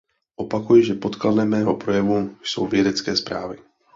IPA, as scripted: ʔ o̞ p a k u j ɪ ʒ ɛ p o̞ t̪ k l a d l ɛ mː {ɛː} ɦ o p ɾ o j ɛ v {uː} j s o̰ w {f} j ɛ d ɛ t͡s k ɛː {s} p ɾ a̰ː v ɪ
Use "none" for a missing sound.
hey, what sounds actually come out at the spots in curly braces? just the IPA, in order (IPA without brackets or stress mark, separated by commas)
ɛː, u, v, s